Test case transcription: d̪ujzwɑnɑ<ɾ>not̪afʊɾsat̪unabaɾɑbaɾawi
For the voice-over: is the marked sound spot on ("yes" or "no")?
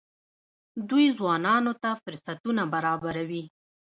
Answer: no